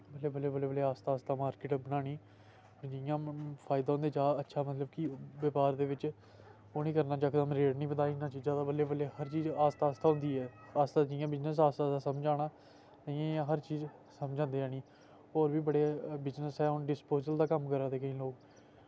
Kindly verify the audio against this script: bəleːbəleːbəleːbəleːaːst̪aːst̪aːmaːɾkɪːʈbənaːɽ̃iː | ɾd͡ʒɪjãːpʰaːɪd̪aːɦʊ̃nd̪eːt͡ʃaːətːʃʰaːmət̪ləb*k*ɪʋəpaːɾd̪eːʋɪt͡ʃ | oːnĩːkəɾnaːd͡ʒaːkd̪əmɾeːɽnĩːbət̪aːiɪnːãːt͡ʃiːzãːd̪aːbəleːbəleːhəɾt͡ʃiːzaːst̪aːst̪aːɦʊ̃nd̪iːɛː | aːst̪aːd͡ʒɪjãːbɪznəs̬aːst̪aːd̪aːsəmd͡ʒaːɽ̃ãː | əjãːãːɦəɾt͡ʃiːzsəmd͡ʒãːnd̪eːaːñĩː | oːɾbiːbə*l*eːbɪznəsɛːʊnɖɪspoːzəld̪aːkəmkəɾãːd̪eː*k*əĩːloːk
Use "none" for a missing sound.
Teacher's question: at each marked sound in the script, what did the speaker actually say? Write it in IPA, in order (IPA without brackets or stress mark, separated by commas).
k, ɽ, k